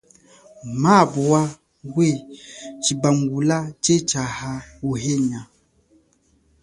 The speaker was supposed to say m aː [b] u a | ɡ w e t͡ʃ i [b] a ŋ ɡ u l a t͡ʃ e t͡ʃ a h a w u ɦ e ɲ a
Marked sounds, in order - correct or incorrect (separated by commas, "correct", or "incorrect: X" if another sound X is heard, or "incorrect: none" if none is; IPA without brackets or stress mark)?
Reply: correct, correct